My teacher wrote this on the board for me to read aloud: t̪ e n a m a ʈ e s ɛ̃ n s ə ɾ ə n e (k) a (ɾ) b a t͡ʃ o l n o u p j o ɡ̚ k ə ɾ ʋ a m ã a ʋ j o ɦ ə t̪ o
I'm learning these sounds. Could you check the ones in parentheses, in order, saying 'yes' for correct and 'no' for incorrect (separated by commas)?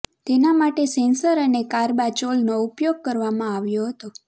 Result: yes, yes